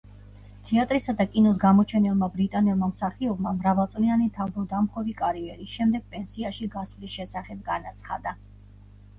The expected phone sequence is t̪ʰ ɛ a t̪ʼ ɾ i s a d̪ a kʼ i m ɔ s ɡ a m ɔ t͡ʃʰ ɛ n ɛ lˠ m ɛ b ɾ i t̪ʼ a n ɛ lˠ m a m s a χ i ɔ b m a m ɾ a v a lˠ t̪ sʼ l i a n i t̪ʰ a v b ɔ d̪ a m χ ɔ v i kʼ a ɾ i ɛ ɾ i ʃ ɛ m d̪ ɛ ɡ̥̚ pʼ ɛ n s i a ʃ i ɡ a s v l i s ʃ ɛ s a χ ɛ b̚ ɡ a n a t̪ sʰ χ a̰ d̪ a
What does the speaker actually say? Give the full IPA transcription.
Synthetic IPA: t̪ʰ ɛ a t̪ʼ ɾ i s a d̪ a kʼ i n ɔ s ɡ a m ɔ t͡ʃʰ ɛ n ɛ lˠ m a b ɾ i t̪ʼ a n ɛ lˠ m a m s a χ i ɔ b m a m ɾ a v a lˠ t̪ sʼ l i a n i t̪ʰ a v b ɔ d̪ a m χ ɔ v i kʼ a ɾ i ɛ ɾ i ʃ ɛ m d̪ ɛ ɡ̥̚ pʼ ɛ n s i a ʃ i ɡ a s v l i s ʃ ɛ s a χ ɛ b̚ ɡ a n a t̪ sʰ χ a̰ d̪ a